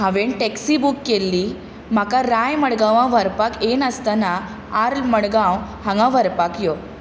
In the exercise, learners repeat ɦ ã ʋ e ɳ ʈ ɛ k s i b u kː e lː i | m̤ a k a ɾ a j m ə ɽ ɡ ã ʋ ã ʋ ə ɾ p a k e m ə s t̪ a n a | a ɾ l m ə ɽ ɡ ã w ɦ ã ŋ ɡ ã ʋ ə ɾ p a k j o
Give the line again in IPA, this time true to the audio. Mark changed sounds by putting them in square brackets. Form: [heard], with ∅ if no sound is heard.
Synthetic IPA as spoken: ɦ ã ʋ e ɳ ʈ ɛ k s i b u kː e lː i | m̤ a k a ɾ a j m ə ɽ ɡ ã ʋ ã ʋ ə ɾ p a k e [n] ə s t̪ a n a | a ɾ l m ə ɽ ɡ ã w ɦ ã ŋ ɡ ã ʋ ə ɾ p a k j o

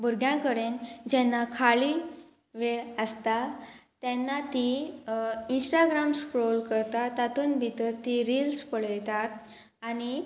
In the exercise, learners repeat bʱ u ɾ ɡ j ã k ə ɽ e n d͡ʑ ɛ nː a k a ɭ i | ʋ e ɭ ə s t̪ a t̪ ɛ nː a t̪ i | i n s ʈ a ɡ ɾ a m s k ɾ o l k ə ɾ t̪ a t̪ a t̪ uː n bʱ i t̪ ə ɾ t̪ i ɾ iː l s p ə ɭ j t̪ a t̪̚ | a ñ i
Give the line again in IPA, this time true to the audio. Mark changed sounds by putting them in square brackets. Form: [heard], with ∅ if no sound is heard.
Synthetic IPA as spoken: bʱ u ɾ ɡ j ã k ə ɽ e n d͡ʑ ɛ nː a [kʰ] a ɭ i | ʋ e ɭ ə s t̪ a t̪ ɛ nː a t̪ i | i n s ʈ a ɡ ɾ a m s k ɾ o l k ə ɾ t̪ a t̪ a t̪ uː n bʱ i t̪ ə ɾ t̪ i ɾ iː l s p ə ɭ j t̪ a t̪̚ | a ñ i

